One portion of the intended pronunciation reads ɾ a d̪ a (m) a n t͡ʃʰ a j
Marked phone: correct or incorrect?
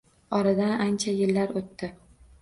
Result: incorrect